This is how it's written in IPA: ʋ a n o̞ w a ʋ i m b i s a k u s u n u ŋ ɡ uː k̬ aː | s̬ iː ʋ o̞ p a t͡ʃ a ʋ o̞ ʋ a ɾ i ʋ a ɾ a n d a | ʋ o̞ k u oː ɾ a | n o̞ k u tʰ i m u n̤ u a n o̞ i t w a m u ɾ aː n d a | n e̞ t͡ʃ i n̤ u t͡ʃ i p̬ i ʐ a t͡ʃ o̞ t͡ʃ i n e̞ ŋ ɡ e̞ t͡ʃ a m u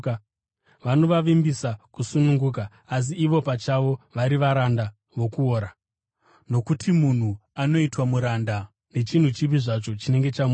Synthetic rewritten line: ʋ a n o̞ ʋ a ʋ i m b i s a k u s u n u ŋ ɡ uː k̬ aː | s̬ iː ʋ o̞ p a t͡ʃ a ʋ o̞ ʋ a ɾ i ʋ a ɾ a n d a | ʋ o̞ k u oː ɾ a | n o̞ k u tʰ i m u n̤ u a n o̞ i t w a m u ɾ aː n d a | n e̞ t͡ʃ i n̤ u t͡ʃ i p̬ i ʐ a t͡ʃ o̞ t͡ʃ i n e̞ ŋ ɡ e̞ t͡ʃ a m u